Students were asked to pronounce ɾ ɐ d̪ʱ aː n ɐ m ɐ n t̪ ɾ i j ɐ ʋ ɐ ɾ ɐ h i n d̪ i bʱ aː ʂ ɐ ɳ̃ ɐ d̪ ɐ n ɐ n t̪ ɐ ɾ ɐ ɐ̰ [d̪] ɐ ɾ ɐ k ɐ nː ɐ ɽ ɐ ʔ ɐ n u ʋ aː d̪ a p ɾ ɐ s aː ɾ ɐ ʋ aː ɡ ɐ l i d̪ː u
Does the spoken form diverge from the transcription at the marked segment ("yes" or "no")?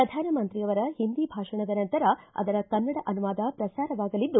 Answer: no